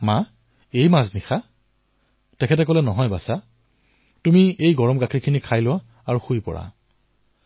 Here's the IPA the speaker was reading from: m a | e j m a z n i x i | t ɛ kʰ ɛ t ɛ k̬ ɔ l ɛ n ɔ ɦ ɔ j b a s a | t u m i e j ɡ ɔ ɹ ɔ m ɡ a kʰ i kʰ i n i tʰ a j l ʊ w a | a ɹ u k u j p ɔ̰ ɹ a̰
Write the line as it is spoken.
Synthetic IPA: m a | e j m a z n i x a | t ɛ kʰ ɛ t ɛ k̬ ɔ l ɛ n ɔ ɦ ɔ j b a s a | t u m i e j ɡ ɔ ɹ ɔ m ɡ a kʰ i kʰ i n i kʰ a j l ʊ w a | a ɹ u x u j p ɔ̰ ɹ a̰